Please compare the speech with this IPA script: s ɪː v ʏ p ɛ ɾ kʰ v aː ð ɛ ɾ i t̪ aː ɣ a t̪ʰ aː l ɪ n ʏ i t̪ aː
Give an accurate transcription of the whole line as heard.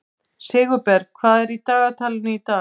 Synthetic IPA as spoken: s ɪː ɣ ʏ p ɛ ɾ kʰ v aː ð ɛ ɾ i t̪ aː ɣ a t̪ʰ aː l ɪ n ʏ i t̪ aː